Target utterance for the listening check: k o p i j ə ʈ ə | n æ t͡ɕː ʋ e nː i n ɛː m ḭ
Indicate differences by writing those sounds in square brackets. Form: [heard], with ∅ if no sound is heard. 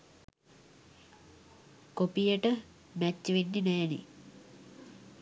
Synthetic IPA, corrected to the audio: k o p i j ə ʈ ə | [m] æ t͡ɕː ʋ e nː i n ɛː [n] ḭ